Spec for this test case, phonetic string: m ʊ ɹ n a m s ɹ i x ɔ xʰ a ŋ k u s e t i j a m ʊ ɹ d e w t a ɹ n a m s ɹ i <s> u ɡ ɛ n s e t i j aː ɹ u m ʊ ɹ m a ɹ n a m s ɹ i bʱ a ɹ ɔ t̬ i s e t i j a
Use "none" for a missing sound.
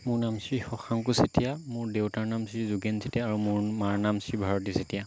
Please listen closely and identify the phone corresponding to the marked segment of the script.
z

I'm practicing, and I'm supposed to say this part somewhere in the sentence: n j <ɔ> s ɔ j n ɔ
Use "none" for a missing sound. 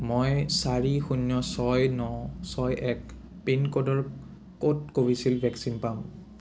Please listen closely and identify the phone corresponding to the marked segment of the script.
ɔ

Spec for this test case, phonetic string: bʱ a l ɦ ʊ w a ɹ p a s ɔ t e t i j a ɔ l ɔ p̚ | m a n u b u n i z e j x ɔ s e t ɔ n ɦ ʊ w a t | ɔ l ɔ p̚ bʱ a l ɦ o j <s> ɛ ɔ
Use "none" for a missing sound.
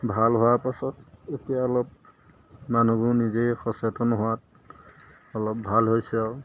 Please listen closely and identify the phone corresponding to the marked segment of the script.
s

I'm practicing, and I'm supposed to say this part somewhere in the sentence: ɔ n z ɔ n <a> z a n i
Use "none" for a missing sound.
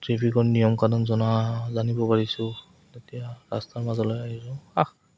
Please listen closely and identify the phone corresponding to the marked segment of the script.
a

